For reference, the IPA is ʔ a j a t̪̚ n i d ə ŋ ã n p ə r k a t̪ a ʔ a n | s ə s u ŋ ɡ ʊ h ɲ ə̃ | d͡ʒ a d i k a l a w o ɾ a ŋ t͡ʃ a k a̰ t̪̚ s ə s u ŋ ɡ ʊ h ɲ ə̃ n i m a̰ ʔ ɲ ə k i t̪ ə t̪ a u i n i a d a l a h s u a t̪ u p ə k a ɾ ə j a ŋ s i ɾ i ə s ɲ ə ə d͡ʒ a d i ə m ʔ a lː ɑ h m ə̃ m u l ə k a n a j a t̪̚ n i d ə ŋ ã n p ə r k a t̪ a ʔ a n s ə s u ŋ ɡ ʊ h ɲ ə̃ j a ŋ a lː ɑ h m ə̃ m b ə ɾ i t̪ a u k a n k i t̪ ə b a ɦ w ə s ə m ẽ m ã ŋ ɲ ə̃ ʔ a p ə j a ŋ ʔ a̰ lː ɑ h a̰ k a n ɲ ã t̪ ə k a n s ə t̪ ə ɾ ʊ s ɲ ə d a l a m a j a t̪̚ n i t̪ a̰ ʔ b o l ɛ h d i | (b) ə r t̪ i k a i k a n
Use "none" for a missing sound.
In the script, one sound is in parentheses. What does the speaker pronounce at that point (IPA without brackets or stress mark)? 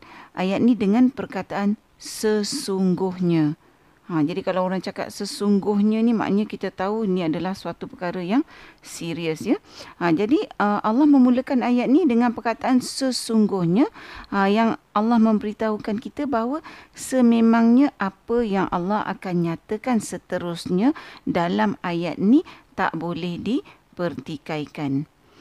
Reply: p